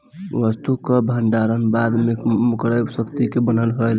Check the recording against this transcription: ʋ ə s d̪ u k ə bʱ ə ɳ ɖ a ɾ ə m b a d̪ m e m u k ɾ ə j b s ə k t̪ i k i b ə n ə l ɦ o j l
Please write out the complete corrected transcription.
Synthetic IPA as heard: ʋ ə s t̪ u k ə bʱ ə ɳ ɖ a ɾ ə n b a d̪ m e m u k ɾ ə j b s ə k t̪ i k e b ə n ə l ɦ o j l